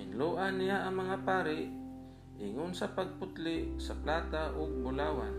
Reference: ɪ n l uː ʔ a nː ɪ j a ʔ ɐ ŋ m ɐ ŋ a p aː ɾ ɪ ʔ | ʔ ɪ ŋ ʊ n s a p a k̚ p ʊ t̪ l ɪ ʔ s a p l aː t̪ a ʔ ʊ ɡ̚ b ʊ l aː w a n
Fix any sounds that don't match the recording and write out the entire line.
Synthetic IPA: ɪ n l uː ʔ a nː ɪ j a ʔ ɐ ŋ m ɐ ŋ a p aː ɾ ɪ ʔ | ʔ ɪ ŋ ʊ n s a p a ɡ̚ p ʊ t̪ l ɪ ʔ s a p l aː t̪ a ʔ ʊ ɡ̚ b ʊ l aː w a n